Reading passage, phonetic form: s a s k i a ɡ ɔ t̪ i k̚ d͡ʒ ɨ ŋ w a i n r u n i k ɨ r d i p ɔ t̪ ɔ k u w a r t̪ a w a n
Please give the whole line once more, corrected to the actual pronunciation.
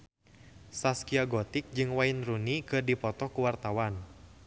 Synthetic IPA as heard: s a s k i a ɡ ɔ t̪ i k̚ d͡ʒ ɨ ŋ w a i n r u n i k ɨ r d i p ɔ t̪ ɔ k u w a r t̪ a w a n